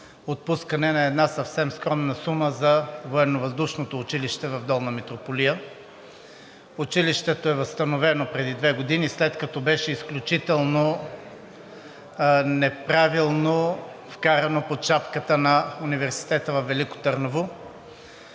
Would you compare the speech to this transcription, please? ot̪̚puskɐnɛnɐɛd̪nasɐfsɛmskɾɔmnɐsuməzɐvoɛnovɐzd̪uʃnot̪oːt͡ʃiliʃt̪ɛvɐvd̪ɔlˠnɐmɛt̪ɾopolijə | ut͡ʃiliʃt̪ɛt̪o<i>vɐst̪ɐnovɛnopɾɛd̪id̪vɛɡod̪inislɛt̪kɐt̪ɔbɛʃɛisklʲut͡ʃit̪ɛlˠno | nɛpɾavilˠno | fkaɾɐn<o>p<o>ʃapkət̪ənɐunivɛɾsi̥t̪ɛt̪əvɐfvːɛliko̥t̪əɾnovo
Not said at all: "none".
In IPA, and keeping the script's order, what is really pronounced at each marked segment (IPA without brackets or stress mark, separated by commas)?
ɛ, o, o